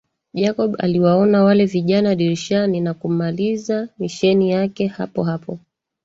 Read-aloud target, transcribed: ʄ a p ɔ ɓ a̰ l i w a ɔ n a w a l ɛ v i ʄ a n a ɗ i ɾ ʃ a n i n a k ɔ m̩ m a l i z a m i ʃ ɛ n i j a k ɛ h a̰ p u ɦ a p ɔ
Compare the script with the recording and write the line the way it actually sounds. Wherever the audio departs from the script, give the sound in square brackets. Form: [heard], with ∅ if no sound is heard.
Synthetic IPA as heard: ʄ a [k] ɔ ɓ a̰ l i w a ɔ n a w a l ɛ v i ʄ a n a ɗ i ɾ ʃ a n i n a k [u] m̩ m a l i z a m i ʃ ɛ n i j a k ɛ h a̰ p [ɔ] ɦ a p ɔ